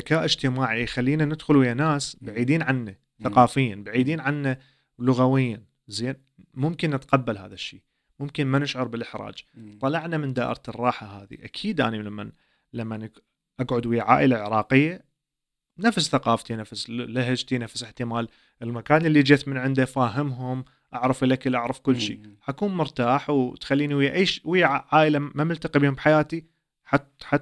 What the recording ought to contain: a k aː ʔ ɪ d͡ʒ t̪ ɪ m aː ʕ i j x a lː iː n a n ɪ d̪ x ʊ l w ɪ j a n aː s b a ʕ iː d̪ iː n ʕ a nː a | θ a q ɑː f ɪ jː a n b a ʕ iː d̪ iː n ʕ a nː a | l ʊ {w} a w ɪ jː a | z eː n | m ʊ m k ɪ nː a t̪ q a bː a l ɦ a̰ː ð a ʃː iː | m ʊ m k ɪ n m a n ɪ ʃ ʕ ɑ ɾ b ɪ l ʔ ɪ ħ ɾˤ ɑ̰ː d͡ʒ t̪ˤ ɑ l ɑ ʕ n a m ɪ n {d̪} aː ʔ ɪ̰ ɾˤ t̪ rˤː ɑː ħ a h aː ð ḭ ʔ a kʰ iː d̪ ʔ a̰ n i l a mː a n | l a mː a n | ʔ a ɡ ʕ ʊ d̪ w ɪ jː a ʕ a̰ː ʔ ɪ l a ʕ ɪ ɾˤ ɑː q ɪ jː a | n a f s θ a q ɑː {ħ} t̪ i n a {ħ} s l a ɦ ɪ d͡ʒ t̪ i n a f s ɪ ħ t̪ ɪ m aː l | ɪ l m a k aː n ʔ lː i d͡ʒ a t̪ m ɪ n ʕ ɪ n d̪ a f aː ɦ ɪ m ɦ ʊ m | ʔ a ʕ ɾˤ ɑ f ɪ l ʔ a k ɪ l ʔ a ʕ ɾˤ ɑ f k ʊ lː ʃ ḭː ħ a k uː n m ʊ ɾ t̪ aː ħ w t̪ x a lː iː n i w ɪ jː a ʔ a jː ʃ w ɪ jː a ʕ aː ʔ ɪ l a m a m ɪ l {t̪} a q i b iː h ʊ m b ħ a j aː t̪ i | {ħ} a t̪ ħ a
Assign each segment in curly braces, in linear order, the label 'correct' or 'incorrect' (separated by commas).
incorrect, correct, incorrect, incorrect, correct, correct